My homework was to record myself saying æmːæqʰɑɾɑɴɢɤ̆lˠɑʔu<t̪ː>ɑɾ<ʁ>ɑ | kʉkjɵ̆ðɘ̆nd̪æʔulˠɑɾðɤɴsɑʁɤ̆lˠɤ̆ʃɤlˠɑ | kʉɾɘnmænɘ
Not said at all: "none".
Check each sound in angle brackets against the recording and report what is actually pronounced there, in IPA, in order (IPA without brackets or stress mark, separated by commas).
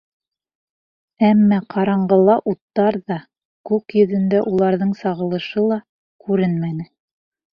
t̪ː, ð